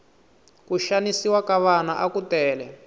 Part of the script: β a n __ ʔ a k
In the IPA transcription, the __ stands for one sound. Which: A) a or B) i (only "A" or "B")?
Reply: A